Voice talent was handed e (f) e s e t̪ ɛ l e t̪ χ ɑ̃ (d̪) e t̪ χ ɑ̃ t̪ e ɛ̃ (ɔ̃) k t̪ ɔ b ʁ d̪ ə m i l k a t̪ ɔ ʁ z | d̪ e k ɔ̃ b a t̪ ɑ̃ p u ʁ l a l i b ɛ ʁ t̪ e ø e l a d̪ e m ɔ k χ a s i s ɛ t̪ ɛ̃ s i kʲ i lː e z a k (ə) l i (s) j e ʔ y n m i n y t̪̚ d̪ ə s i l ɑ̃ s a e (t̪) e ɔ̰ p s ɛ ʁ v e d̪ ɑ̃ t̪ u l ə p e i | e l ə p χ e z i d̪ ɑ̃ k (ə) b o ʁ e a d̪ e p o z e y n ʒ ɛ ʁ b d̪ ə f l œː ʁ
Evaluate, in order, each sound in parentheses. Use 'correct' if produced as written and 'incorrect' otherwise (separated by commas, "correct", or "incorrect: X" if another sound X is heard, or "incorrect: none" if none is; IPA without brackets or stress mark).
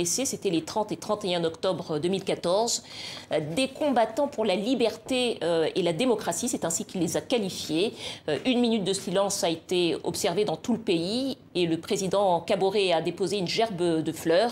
incorrect: s, incorrect: t̪, incorrect: ɔ, incorrect: a, incorrect: f, correct, incorrect: a